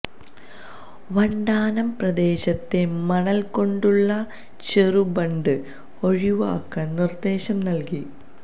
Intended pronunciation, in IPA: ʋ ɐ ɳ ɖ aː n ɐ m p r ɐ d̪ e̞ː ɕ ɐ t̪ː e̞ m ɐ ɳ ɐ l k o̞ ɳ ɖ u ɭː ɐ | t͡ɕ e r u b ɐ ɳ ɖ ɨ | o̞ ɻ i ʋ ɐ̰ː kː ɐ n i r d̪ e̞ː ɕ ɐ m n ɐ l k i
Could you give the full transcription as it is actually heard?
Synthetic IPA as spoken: ʋ ɐ ɳ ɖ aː n ɐ m p r ɐ d̪ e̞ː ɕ ɐ t̪ː e̞ m ɐ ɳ ɐ l k o̞ ɳ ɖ u ɭː ɐ | t͡ɕ e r u b ɐ ɳ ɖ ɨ | o̞ ɻ i ʋ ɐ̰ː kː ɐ n i r d̪ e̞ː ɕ ɐ m n ɐ l k i